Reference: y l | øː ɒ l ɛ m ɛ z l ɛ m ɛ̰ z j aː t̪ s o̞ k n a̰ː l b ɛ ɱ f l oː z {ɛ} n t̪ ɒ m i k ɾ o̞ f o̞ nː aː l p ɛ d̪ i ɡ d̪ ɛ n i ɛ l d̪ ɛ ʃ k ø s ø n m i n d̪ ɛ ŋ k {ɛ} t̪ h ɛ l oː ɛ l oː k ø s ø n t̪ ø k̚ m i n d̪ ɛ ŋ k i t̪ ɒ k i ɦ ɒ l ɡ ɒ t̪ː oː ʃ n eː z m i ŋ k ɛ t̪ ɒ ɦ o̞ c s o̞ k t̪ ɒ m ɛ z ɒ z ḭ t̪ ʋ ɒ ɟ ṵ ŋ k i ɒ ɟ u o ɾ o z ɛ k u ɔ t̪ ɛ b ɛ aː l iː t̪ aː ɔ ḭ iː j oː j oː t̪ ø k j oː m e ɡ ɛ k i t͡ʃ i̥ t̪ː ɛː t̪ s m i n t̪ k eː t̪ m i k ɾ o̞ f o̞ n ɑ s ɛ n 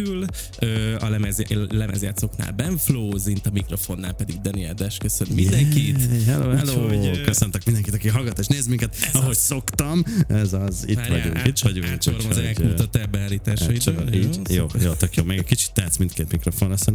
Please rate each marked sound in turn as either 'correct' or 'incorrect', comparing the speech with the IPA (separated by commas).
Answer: incorrect, incorrect